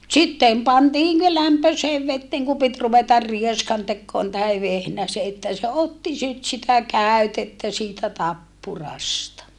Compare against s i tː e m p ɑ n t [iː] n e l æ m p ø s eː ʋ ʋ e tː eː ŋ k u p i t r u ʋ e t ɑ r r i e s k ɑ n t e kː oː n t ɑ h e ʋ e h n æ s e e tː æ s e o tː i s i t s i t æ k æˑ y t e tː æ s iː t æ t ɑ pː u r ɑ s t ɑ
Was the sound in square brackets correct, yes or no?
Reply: yes